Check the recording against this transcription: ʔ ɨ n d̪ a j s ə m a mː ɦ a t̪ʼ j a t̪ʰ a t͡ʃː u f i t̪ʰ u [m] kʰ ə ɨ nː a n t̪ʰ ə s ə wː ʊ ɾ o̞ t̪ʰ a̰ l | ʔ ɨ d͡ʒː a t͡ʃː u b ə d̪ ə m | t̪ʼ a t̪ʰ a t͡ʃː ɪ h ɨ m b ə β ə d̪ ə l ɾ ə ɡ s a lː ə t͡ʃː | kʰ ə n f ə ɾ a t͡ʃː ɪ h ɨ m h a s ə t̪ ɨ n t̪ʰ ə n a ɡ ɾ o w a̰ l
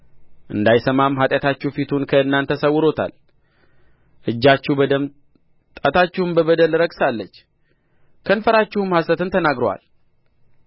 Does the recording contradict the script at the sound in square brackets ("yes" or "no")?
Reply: yes